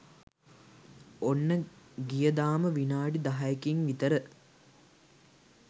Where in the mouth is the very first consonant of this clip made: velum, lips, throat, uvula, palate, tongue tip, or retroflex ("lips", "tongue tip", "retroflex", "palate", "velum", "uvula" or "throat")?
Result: tongue tip